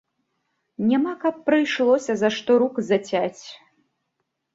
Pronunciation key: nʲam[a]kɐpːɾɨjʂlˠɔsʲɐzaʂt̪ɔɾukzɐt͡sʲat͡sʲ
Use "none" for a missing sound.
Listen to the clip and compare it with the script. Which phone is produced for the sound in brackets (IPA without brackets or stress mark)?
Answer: a